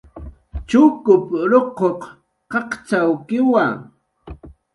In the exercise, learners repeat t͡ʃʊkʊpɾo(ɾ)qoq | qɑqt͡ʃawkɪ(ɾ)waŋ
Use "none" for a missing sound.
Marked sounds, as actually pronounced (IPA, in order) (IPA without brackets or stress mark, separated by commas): none, none